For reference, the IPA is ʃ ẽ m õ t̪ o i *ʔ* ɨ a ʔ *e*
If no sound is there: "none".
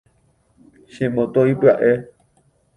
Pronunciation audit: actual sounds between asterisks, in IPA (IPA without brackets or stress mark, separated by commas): p, e